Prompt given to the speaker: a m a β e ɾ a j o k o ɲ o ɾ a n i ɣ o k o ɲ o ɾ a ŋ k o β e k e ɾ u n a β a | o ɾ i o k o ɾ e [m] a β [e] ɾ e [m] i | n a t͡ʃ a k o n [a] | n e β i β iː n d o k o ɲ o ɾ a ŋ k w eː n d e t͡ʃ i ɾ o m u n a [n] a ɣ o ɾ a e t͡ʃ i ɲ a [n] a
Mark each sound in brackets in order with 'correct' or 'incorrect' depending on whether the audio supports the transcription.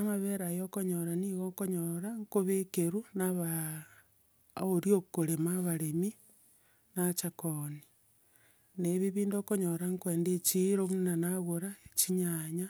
correct, incorrect, correct, incorrect, correct, incorrect

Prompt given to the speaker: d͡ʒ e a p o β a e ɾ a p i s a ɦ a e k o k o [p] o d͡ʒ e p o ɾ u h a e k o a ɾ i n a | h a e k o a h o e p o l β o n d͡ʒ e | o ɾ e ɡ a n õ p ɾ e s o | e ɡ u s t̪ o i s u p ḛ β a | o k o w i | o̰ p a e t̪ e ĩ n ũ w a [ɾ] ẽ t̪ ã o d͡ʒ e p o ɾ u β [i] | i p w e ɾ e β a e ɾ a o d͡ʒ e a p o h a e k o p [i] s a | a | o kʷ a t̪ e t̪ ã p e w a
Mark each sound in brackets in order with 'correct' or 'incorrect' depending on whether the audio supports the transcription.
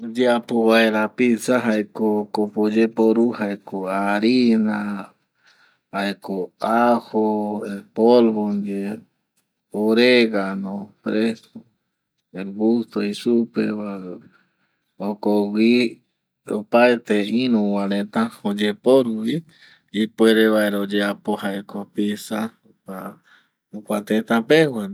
correct, correct, correct, correct

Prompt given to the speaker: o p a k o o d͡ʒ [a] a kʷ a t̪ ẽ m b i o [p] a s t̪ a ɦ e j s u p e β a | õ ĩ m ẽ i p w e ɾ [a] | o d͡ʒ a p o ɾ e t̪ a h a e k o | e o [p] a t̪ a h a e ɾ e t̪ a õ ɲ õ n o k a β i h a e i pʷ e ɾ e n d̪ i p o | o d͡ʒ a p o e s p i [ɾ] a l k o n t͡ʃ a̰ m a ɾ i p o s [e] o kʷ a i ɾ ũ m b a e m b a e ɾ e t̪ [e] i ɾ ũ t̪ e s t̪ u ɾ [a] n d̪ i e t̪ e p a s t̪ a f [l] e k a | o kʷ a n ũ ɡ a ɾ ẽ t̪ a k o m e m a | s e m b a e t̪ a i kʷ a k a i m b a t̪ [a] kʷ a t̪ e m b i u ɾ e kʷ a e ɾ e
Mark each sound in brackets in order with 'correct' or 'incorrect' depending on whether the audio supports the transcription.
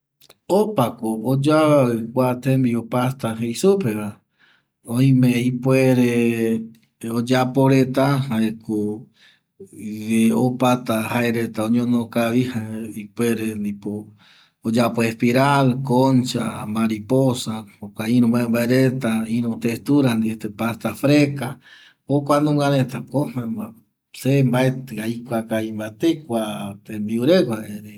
correct, correct, incorrect, correct, correct, incorrect, incorrect, correct, incorrect, incorrect

